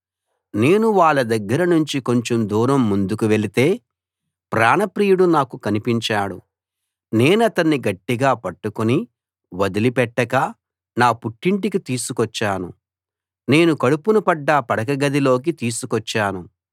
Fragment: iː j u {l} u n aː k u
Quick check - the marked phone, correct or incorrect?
incorrect